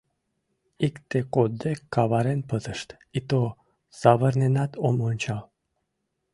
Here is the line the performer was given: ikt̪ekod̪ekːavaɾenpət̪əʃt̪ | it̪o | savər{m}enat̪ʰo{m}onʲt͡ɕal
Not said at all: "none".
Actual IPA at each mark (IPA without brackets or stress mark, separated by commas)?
n, m